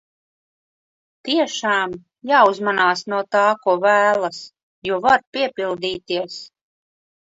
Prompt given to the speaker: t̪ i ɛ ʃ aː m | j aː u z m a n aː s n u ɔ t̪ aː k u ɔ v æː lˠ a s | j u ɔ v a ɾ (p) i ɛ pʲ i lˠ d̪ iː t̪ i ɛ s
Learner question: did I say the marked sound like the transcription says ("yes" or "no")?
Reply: yes